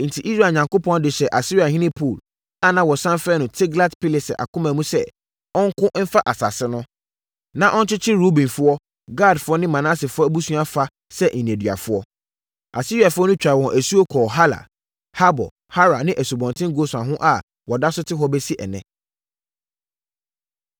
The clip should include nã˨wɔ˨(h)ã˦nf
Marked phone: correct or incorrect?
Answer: incorrect